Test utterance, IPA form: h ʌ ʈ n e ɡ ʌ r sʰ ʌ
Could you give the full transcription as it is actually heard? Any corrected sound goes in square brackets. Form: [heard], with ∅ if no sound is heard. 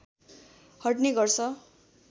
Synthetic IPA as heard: h ʌ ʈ n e ɡ ʌ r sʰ ʌ